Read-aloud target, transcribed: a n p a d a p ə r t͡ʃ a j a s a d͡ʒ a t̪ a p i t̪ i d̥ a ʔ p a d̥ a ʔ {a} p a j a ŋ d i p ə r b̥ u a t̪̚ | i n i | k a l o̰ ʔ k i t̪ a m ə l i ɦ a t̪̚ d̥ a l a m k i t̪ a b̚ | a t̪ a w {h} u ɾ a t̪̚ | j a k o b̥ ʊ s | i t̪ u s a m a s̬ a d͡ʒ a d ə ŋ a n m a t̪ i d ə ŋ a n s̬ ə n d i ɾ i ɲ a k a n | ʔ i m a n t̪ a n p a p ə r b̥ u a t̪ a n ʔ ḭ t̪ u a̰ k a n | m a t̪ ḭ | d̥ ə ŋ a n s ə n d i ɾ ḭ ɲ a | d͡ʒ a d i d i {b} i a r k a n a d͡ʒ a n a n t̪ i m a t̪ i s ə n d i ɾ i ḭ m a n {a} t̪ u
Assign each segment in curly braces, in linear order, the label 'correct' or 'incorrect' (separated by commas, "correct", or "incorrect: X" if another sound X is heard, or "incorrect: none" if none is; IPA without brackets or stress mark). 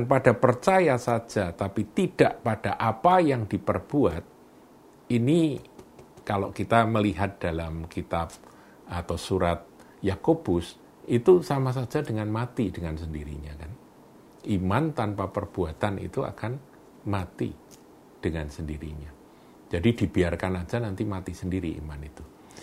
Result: correct, incorrect: s, correct, incorrect: i